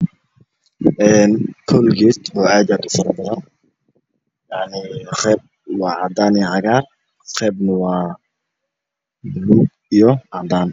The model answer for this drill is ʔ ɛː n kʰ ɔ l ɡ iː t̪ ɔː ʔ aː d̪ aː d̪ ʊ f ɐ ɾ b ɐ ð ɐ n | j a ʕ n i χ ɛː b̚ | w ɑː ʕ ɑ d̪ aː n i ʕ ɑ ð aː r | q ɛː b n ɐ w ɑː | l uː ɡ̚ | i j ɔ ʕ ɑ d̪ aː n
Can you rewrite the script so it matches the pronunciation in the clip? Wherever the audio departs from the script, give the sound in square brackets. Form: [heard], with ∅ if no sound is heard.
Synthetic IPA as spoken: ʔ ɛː n kʰ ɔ l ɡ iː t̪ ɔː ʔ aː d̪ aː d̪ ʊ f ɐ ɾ b ɐ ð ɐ n | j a ʕ n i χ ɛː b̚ | w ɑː ʕ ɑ d̪ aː n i ʕ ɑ [ɣ] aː r | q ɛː b n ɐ w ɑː | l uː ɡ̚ | i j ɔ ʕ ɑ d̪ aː n